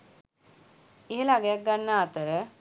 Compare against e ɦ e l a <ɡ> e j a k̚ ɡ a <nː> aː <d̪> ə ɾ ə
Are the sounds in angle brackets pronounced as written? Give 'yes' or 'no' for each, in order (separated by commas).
yes, yes, no